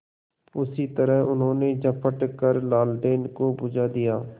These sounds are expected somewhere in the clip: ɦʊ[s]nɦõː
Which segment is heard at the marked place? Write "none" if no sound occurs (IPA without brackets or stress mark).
none